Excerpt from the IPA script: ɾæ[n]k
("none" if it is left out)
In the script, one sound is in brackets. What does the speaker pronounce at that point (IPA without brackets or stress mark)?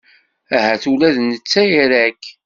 none